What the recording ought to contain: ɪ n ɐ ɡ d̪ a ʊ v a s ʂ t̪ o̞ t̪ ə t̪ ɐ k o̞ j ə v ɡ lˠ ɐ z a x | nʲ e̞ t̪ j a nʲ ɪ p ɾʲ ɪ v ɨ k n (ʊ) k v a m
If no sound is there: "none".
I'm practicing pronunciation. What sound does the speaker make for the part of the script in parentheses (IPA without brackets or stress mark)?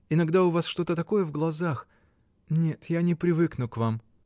ʊ